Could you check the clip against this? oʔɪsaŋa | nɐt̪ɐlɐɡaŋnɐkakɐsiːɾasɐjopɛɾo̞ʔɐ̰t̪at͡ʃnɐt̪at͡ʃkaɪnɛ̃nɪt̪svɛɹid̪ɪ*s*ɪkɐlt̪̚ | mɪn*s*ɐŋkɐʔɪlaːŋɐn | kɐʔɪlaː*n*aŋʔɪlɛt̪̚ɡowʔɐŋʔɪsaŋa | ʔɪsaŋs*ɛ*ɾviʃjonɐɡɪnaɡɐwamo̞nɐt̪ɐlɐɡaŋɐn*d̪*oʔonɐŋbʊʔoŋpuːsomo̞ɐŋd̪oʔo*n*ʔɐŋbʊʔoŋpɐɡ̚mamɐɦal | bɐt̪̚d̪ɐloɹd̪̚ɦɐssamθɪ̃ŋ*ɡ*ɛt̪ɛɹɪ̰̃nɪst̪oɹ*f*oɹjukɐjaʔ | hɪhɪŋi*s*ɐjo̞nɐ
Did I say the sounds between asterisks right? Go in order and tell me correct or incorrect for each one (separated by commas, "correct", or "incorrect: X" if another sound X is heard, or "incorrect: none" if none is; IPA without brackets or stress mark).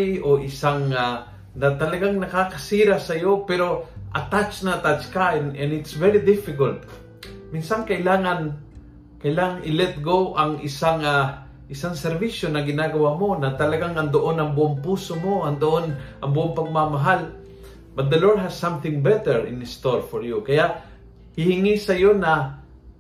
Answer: incorrect: f, correct, incorrect: ŋ, correct, correct, correct, incorrect: b, correct, correct